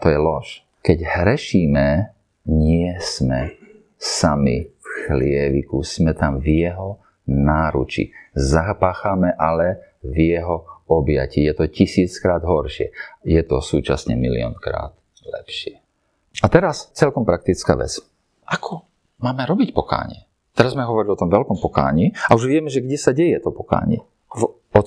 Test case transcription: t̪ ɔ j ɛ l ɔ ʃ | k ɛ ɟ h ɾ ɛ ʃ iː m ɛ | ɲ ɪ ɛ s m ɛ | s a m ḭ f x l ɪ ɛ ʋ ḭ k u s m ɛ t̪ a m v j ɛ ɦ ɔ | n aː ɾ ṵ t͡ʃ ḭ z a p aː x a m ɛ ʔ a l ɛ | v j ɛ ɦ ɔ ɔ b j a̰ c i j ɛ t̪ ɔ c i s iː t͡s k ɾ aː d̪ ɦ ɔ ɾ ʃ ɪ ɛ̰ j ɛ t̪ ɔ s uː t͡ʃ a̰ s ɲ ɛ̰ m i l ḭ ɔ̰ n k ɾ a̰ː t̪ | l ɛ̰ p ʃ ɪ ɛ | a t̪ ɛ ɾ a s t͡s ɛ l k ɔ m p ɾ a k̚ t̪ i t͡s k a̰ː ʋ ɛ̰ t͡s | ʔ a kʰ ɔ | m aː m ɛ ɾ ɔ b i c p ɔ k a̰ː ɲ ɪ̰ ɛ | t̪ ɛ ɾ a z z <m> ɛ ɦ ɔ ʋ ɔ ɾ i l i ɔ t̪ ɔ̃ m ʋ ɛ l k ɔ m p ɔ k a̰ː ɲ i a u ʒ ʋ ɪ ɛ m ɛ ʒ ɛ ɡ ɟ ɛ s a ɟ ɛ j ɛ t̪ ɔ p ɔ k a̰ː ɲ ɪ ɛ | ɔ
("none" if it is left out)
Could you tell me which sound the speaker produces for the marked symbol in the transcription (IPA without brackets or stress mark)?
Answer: m